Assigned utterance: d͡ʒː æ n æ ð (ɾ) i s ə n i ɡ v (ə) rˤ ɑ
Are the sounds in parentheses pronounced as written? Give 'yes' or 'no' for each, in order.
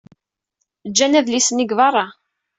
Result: no, no

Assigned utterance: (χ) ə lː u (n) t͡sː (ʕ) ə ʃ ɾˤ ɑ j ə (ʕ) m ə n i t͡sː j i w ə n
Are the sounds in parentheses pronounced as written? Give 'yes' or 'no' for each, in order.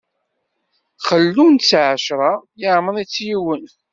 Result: yes, yes, yes, yes

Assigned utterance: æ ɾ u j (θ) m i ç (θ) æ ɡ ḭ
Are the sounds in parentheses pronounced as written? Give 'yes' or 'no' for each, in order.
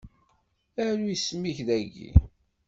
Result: no, no

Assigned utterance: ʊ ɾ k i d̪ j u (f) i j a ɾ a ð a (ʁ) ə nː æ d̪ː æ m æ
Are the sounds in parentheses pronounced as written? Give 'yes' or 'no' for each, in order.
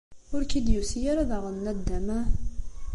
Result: no, yes

